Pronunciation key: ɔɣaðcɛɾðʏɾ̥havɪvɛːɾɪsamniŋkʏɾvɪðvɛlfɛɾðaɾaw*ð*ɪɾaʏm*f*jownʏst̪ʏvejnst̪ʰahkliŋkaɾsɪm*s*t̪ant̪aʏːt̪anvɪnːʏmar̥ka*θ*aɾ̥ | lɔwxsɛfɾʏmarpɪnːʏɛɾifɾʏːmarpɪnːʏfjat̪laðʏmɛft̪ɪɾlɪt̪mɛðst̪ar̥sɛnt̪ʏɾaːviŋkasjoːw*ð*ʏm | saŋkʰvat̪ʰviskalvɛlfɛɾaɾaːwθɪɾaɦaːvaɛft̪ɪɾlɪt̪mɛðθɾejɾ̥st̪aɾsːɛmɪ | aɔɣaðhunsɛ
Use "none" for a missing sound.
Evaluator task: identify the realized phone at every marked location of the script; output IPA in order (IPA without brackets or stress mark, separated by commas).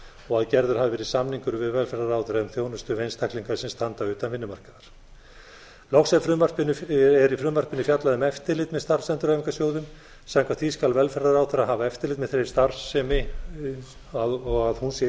θ, θ, s, ð, ð